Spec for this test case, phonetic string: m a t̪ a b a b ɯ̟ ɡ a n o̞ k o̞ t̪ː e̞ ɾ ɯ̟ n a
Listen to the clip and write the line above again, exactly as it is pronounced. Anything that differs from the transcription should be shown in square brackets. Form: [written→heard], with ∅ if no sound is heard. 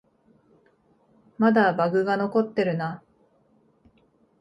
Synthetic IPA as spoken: m a [t̪→d̪] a b a [b→ɡ] ɯ̟ ɡ a n o̞ k o̞ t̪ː e̞ ɾ ɯ̟ n a